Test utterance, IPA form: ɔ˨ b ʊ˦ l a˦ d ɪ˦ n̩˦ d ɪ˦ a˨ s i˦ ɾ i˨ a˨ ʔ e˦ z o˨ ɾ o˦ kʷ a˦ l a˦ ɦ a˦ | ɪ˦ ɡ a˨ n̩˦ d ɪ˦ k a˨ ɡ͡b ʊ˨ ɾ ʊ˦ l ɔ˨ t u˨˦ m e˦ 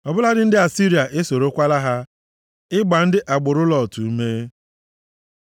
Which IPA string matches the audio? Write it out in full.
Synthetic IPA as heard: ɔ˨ b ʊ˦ l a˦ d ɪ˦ n̩˦ d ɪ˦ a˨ s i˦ ɾ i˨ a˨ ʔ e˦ s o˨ ɾ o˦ kʷ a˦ l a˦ ɦ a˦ | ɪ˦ ɡ͡b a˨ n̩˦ d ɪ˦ ʔ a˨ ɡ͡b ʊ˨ ɾ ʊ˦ l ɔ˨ t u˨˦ m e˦

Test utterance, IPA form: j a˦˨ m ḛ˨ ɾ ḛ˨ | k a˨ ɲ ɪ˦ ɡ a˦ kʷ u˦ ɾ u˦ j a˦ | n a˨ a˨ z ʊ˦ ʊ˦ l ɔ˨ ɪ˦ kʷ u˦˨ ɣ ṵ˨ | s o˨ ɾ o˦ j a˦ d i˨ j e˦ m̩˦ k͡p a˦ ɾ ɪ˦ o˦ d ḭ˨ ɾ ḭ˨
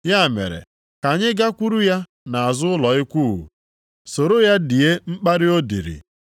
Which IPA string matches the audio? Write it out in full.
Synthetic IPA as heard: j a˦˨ m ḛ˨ ɾ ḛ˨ | k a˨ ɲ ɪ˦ ɡ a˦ kʷ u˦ ɾ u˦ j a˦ | n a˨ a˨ z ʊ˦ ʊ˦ l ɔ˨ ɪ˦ kʷ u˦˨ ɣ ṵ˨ | s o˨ ɾ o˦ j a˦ d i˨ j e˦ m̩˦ k͡p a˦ ɾ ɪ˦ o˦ d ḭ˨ ɾ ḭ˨

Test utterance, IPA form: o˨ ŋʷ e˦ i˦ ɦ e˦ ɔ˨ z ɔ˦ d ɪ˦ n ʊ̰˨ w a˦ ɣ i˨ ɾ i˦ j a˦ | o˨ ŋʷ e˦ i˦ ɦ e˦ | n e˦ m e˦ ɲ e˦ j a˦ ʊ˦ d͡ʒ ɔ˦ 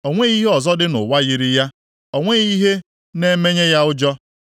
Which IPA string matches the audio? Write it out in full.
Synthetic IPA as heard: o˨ ŋʷ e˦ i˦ ɦ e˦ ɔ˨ z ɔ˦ d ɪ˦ n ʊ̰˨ w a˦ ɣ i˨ ɾ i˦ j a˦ | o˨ ŋʷ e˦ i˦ ɦ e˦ | n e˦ m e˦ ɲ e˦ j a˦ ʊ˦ d͡ʒ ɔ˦

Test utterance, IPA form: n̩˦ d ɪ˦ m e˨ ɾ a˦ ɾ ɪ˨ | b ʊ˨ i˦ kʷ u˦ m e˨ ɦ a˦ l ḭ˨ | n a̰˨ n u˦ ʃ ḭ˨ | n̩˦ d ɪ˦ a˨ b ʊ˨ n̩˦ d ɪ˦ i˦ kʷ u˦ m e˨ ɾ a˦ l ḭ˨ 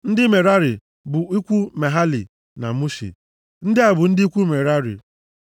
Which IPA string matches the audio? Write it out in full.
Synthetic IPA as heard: n̩˦ d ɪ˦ m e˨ ɾ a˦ ɾ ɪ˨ | b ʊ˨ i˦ kʷ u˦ m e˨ ɦ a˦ l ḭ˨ | n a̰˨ m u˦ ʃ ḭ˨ | n̩˦ d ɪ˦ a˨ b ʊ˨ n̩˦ d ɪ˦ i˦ kʷ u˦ m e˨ ɾ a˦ ɾ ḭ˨

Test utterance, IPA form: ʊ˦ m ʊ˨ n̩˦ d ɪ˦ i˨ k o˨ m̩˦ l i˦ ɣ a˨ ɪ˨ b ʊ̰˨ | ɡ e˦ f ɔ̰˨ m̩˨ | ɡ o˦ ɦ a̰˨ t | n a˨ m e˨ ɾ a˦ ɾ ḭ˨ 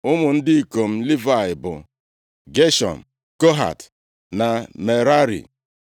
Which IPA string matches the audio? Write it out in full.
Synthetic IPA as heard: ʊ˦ m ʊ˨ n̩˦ d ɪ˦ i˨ k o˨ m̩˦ l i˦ v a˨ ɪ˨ b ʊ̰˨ | ɡ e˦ ʃ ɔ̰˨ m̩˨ | k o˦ ɦ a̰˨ t | n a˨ m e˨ ɾ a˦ ɾ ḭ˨

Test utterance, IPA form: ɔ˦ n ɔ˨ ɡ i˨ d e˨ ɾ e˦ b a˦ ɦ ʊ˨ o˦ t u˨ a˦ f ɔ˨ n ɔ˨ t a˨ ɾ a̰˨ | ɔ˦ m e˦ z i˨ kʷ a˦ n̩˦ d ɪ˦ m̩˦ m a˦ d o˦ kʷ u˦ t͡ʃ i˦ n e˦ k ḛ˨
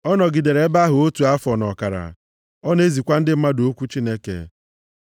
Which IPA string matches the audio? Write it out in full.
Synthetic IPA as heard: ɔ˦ n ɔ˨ ɡ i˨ d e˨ ɾ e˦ b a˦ ɦ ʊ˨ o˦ t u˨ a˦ f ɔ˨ n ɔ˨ k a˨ ɾ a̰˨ | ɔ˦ n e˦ z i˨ kʷ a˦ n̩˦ d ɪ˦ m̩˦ m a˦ d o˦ kʷ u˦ t͡ʃ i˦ n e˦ k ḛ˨

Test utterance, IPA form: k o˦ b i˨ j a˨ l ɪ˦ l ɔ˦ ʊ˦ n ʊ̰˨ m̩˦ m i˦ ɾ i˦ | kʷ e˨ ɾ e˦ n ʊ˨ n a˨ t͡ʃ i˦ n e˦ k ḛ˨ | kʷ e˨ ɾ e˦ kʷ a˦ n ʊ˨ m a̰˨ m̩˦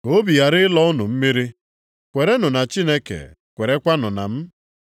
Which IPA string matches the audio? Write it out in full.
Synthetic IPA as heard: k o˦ b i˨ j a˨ ɾ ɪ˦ l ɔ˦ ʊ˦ n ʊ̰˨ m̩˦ m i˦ ɾ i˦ | kʷ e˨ ɾ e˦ n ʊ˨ n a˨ t͡ʃ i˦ n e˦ k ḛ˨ | kʷ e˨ ɾ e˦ kʷ a˦ n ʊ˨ n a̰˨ m̩˦

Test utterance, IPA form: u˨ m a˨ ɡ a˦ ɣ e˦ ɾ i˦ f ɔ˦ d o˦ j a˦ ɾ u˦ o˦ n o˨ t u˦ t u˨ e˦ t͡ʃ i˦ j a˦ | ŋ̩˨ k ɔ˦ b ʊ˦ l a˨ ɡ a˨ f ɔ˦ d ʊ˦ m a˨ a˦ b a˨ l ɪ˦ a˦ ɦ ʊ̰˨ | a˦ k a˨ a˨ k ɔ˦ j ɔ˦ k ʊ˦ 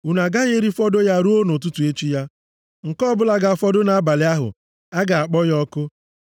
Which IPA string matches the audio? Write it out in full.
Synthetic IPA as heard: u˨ n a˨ ɡ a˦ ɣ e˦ ɾ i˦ f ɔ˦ d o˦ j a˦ ɾ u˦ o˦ n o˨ t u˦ t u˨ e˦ t͡ʃ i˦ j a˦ | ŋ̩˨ k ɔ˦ b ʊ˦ l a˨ ɡ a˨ f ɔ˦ d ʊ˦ n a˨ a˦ b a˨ l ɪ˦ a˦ ɦ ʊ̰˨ | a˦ ɡ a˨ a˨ k͡p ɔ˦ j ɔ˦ k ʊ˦

